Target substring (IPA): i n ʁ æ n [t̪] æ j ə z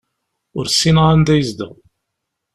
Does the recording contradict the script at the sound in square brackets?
yes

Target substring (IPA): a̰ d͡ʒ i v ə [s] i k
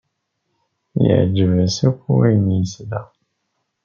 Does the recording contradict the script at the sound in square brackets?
no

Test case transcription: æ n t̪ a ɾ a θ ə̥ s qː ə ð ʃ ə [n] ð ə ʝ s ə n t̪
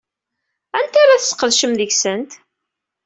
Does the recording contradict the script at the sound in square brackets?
yes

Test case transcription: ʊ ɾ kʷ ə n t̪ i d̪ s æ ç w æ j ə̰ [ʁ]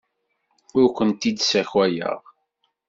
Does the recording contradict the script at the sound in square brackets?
no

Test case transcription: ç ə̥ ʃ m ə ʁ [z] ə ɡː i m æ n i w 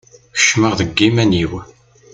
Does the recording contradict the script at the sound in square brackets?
yes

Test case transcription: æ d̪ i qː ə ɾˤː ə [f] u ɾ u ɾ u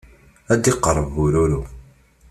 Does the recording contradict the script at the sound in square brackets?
yes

